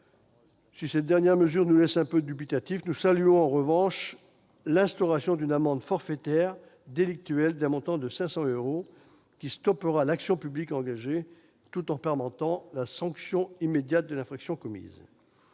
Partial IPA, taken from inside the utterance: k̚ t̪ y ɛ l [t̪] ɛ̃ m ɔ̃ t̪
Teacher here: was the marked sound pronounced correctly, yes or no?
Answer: no